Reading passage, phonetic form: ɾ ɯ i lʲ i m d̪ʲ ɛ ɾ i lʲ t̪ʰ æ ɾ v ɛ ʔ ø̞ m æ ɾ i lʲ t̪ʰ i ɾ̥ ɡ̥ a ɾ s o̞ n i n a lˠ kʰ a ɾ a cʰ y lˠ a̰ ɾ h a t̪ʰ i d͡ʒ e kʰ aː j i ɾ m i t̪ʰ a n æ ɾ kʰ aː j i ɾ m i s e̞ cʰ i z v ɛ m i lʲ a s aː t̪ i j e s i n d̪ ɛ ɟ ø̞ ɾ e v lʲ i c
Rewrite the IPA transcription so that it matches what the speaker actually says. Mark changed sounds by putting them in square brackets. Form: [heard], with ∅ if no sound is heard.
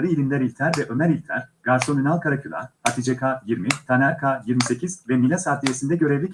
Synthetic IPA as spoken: ɾ ɯ i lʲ i m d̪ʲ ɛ ɾ i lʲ t̪ʰ æ ɾ v ɛ ʔ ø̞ m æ ɾ i lʲ t̪ʰ [æ] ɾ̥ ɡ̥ a ɾ s o̞ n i n a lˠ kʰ a ɾ a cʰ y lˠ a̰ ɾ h a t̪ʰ i d͡ʒ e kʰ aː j i ɾ m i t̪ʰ a n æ ɾ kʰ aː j i ɾ m i s e̞ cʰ i z v ɛ m i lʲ a s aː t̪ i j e s i n d̪ ɛ ɟ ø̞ ɾ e v lʲ i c